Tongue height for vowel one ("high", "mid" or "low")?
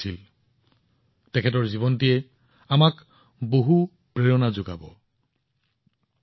high